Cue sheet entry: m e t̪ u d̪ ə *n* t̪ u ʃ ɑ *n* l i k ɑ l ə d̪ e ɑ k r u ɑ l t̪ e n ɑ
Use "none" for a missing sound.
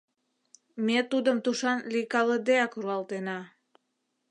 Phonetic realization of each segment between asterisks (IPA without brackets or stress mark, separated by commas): m, n